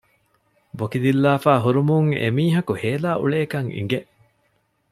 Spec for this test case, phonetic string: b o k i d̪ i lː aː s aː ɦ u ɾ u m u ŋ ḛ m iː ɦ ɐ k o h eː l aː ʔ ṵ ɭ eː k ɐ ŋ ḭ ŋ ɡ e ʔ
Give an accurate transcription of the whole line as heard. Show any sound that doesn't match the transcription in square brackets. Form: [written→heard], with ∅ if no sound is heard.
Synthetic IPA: b o k i d̪ i lː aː [s→f] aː ɦ u ɾ u m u ŋ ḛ m iː ɦ ɐ k [o→u] h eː l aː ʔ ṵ ɭ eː k ɐ ŋ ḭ ŋ ɡ e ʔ